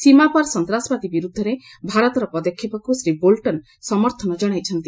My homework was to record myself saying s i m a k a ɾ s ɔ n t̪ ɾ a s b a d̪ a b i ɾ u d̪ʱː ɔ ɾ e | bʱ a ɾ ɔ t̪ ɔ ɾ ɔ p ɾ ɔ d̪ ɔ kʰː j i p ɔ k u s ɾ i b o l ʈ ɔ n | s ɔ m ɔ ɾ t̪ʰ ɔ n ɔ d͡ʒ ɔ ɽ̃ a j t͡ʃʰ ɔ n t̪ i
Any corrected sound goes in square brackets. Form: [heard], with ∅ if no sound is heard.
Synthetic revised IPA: s i m a [p] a ɾ s ɔ n t̪ ɾ a s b a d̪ [i] b i ɾ u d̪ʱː ɔ ɾ e | bʱ a ɾ ɔ t̪ ɔ ɾ ɔ p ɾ ɔ d̪ ɔ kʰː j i p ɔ k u s ɾ i b o l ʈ ɔ n | s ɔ m ɔ ɾ t̪ʰ ɔ n ɔ d͡ʒ ɔ ɽ̃ a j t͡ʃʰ ɔ n t̪ i